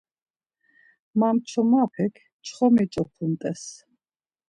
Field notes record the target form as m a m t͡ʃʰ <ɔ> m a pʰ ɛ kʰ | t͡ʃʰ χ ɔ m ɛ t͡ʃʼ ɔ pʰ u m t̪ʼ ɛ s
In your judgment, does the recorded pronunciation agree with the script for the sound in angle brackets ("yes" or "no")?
yes